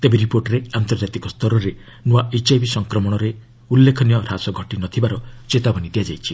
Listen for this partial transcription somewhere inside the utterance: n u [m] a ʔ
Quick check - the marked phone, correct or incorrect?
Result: incorrect